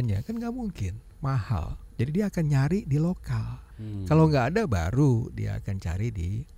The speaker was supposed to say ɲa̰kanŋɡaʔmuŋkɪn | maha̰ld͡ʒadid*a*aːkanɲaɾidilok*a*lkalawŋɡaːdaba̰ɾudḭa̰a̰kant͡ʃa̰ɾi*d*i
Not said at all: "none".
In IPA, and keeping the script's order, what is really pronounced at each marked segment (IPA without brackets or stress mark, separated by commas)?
i, a, d